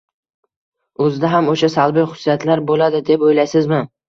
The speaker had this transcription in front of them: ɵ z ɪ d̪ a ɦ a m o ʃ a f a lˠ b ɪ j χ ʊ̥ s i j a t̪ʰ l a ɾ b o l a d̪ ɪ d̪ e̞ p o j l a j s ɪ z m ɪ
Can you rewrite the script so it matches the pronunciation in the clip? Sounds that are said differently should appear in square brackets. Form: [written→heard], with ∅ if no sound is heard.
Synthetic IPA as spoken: ɵ z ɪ d̪ a ɦ a m o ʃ a [f→s] a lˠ b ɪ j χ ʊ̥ s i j a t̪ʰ l a ɾ b o l a d̪ ɪ d̪ e̞ p o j l a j s ɪ z m ɪ